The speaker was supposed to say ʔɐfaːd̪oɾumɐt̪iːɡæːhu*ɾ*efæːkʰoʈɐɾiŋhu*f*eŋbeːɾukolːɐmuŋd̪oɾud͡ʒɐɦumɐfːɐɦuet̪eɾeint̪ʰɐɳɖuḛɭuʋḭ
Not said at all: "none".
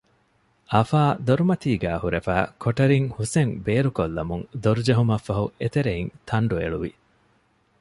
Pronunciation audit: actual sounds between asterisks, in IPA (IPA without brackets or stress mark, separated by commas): ɾ, s